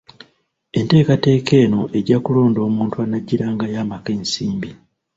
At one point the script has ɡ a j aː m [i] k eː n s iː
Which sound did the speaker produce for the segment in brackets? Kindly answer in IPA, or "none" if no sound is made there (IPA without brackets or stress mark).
a